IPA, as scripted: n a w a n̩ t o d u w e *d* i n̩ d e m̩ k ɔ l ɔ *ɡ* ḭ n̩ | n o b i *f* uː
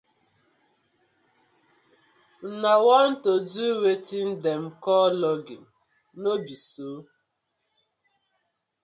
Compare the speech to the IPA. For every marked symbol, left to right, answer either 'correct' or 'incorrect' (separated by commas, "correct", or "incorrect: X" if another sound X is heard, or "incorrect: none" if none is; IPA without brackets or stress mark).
incorrect: t, correct, incorrect: s